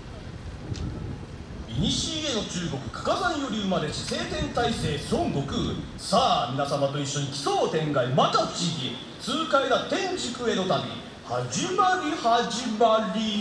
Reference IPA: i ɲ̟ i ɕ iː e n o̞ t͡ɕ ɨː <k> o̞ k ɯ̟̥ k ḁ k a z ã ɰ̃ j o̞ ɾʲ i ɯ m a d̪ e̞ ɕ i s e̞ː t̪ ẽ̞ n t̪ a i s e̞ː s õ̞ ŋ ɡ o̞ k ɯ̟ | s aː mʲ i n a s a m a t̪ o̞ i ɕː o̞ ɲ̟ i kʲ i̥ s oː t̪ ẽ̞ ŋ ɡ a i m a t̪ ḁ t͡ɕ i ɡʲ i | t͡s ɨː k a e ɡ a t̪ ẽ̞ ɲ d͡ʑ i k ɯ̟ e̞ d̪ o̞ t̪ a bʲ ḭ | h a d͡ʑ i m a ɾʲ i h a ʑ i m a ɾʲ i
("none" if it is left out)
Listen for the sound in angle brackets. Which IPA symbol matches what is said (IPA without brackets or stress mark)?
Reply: ɡ